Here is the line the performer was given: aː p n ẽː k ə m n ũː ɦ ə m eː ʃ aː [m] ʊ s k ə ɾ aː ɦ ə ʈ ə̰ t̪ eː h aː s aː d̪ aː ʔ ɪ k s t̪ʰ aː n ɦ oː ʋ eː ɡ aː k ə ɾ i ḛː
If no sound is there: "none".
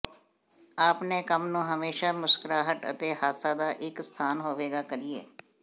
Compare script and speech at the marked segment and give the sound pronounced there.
m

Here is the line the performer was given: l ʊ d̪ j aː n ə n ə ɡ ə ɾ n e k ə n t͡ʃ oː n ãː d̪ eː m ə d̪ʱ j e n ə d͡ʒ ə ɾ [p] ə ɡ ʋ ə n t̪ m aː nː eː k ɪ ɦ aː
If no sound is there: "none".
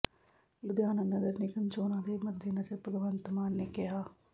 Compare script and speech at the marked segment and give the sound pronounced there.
p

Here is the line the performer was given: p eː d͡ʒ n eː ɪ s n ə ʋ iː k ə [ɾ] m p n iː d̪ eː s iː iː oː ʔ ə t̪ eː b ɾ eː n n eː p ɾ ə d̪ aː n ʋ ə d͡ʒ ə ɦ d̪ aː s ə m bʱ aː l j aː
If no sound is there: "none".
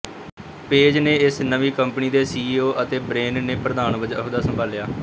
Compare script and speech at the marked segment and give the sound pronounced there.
none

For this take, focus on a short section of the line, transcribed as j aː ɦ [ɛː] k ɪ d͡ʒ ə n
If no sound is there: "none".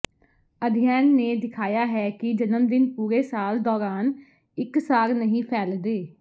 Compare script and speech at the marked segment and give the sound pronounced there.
ɛː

